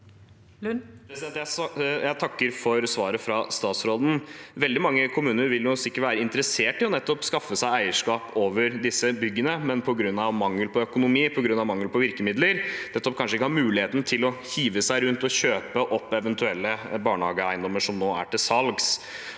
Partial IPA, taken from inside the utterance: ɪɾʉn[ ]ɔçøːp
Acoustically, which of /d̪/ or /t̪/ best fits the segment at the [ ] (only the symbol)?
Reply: t̪